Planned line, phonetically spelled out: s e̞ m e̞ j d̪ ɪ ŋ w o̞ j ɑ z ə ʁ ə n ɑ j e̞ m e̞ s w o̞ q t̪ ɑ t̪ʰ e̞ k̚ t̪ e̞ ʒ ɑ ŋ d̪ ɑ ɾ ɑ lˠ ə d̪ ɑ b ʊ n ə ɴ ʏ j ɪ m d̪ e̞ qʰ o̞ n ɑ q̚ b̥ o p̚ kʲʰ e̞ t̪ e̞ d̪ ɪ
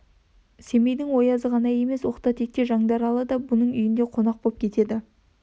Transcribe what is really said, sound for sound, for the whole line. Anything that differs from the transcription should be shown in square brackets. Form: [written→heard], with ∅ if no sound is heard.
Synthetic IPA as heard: s e̞ m e̞ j d̪ ɪ ŋ w o̞ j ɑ z ə ʁ [ə→ɑ] n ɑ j e̞ m e̞ s w o̞ q t̪ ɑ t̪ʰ e̞ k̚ t̪ e̞ ʒ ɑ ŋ d̪ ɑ ɾ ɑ lˠ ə d̪ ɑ b ʊ n ə ɴ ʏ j ɪ [m→n] d̪ e̞ qʰ o̞ n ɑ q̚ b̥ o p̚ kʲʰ e̞ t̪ e̞ d̪ ɪ